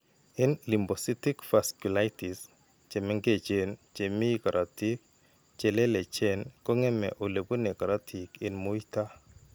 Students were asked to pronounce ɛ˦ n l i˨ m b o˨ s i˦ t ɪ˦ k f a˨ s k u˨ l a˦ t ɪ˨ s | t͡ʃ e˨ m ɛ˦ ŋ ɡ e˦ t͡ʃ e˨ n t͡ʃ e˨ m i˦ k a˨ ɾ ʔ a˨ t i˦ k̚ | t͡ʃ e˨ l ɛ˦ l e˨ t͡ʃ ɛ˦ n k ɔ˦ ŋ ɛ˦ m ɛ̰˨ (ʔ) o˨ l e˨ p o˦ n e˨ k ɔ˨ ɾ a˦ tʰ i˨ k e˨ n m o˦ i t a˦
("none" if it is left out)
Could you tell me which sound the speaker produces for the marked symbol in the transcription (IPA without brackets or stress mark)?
ʔ